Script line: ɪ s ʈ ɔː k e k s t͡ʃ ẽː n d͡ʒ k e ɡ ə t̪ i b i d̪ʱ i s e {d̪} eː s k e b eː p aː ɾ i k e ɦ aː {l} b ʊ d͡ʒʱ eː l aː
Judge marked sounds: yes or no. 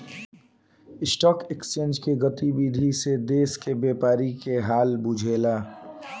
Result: yes, yes

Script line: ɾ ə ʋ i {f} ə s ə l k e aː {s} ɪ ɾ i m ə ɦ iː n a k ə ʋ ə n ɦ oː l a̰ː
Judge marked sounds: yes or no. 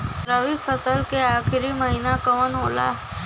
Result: yes, no

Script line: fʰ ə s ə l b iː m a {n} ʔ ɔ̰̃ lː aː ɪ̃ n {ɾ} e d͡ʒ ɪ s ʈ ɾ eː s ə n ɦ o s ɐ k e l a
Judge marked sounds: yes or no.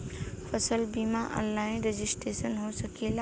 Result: no, yes

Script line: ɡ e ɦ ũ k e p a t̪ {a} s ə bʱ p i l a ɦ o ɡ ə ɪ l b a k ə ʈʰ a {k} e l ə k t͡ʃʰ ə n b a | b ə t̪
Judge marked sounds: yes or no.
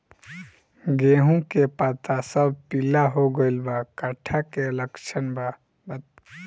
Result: yes, yes

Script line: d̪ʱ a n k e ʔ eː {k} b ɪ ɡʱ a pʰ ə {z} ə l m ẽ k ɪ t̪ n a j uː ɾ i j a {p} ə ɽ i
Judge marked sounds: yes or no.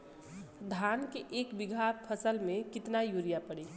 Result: yes, no, yes

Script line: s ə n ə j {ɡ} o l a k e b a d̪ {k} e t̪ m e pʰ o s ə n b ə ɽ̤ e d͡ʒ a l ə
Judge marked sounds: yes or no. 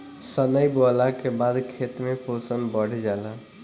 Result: no, no

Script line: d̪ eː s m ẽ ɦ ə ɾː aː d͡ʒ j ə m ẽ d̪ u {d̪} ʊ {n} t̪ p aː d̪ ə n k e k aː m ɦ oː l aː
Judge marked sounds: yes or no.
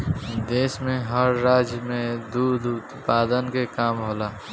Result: yes, no

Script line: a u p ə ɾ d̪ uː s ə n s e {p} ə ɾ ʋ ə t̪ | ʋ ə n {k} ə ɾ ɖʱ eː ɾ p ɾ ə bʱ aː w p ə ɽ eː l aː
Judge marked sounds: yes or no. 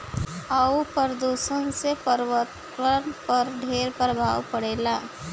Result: yes, no

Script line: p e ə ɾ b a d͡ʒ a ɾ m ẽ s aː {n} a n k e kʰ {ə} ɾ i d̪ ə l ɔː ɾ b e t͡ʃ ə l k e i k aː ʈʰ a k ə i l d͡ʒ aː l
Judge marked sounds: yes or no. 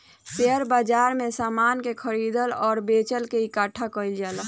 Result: no, yes

